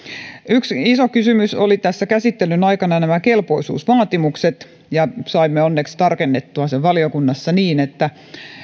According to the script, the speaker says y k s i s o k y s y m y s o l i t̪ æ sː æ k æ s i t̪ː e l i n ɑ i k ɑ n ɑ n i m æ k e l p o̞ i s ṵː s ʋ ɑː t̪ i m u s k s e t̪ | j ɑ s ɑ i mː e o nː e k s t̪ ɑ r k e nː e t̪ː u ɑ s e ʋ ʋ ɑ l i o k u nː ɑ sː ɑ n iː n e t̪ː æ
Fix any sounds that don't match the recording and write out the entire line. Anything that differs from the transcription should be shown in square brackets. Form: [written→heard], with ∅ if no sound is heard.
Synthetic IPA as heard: y k s i s o k y s y m y s o l i t̪ æ sː æ k æ s i t̪ː e l [i→y] n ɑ i k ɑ n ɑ n [i→æ] m æ k e l p o̞ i s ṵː s ʋ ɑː t̪ i m u [s→∅] k s e t̪ | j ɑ s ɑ i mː e o nː e k s t̪ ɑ r k e nː e t̪ː u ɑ s e ʋ ʋ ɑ l i o k u nː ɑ sː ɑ n iː n e t̪ː æ

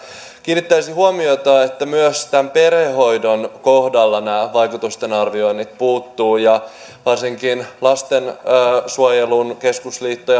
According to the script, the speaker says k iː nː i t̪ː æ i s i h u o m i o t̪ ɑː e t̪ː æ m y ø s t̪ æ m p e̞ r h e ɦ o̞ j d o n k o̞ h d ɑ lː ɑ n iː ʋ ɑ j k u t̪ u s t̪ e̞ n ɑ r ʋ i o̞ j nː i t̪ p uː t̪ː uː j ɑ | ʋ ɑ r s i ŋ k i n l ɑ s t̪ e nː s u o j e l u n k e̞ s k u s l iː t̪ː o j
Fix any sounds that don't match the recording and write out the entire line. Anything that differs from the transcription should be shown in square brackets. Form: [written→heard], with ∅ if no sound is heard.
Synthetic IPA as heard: k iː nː i t̪ː æ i s i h u o m i o t̪ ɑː e t̪ː æ m y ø s t̪ æ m p e̞ r h e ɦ o̞ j d o n k o̞ h d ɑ lː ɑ n [iː→æː] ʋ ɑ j k u t̪ u s t̪ e̞ n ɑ r ʋ i o̞ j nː i t̪ p uː t̪ː uː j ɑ | ʋ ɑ r s i ŋ k i n l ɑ s t̪ e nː s u o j e l u n k e̞ s k u s l iː t̪ː o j

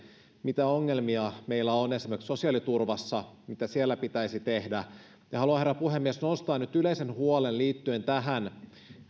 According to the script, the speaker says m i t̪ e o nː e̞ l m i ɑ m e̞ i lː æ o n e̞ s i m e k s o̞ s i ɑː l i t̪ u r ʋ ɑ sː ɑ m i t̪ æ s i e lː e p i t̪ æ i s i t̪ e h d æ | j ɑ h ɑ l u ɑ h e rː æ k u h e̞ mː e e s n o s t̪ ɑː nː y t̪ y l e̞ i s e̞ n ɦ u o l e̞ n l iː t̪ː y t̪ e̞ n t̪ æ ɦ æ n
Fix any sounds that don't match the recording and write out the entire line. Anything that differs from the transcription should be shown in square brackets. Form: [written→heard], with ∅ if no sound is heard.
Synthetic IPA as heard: m i t̪ [e→æ] o [nː→ŋː] e̞ l m i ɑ m e̞ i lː æ o n e̞ s i m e k s o̞ s i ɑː l i t̪ u r ʋ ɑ sː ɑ m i t̪ æ s i e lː [e→æ] p i t̪ æ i s i t̪ e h d æ | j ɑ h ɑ l u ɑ h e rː æ [k→p] u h e̞ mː [e→i] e s n o s t̪ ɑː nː y t̪ y l e̞ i s e̞ n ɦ u o l e̞ n l iː t̪ː y [t̪→∅] e̞ n t̪ æ ɦ æ n

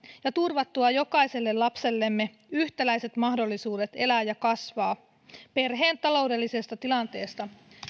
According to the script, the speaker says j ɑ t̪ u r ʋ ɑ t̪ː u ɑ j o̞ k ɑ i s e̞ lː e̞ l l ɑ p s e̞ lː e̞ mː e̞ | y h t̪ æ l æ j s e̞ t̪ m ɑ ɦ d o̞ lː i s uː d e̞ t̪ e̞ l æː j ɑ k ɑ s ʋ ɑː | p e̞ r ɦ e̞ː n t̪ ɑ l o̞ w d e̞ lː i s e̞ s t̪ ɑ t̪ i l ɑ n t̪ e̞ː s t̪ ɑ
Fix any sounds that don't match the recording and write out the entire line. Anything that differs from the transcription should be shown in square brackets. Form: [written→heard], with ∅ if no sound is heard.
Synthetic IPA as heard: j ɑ t̪ u r ʋ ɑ t̪ː u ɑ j o̞ k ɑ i s e̞ lː e̞ l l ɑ p s e̞ lː e̞ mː e̞ | y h t̪ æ l æ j s e̞ t̪ m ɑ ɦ d o̞ lː i s uː d e̞ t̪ e̞ l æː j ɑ k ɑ s ʋ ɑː | p e̞ r ɦ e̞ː n t̪ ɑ l o̞ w d e̞ lː i s e̞ s t̪ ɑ t̪ i l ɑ n t̪ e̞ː s t̪ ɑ

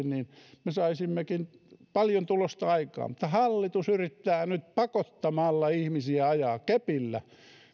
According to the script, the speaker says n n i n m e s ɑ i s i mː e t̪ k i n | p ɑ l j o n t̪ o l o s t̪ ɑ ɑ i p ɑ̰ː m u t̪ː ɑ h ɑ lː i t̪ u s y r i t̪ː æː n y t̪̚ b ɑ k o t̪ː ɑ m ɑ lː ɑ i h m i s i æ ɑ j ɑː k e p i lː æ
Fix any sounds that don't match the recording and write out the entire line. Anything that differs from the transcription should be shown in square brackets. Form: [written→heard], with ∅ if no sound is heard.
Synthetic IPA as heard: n n i n m e s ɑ i s i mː e [t̪→∅] k i n | p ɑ l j o n t̪ [o→u] l o s t̪ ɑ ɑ i [p→k] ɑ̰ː m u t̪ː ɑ h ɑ lː i t̪ u s y r i t̪ː æː n y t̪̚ [b→p] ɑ k o t̪ː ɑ m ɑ lː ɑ i h m i s i æ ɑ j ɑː k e p i lː æ

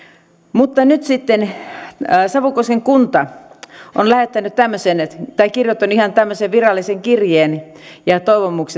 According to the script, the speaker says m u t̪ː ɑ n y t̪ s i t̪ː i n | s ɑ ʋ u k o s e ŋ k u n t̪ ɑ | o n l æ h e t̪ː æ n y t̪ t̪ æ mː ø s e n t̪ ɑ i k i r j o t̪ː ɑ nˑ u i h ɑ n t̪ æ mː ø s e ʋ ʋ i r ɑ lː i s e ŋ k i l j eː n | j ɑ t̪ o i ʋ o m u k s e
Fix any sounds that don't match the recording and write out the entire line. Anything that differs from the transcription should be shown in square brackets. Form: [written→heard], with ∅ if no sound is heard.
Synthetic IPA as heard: m u t̪ː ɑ n y t̪ s i t̪ː [i→e] n | s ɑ ʋ u k o s e ŋ k u n t̪ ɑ | o n l æ h e t̪ː æ n y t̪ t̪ æ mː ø s e n t̪ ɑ i k i r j o t̪ː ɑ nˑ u i h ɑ n t̪ æ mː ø s e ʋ ʋ i r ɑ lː i s e ŋ k i [l→r] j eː n | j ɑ t̪ o i ʋ o m u k s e

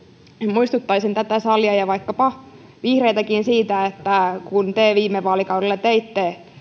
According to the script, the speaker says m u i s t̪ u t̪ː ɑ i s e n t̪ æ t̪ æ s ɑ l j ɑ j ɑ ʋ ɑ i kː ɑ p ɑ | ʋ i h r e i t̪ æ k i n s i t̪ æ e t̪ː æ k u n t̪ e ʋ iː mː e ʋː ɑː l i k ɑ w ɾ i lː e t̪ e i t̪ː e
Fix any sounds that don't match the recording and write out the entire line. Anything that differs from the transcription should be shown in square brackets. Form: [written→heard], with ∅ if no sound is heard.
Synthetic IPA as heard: m u i s t̪ u t̪ː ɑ i s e n t̪ æ t̪ æ s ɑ l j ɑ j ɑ ʋ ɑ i kː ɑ p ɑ | ʋ i h r e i t̪ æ k i n s [i→iː] t̪ æ e t̪ː æ k u n t̪ e ʋ iː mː e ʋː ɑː l i k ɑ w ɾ [i→e] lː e t̪ e i t̪ː e

